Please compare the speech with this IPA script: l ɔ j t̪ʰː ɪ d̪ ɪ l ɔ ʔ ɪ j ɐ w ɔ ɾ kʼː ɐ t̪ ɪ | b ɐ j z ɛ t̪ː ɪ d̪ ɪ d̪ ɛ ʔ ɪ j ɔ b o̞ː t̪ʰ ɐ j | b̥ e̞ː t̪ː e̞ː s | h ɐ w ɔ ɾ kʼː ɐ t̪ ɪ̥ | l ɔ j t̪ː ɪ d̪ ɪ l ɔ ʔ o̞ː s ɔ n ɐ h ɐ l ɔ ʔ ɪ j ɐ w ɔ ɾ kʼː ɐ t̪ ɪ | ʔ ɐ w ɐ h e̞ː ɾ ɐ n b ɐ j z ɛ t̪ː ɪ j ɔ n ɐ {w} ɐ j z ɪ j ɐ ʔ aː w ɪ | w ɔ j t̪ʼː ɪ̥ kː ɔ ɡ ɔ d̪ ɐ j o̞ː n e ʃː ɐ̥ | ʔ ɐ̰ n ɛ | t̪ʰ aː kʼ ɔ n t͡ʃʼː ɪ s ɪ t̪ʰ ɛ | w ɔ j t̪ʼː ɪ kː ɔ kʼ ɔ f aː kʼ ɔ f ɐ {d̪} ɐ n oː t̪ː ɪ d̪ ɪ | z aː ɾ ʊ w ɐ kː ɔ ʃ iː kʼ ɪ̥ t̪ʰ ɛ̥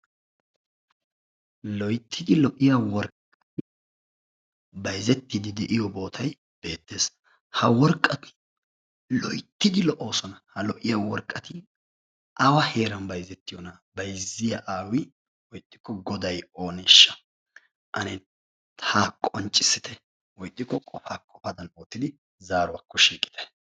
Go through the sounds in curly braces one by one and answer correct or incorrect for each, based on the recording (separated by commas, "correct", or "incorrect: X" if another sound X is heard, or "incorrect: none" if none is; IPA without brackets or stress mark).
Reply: incorrect: b, correct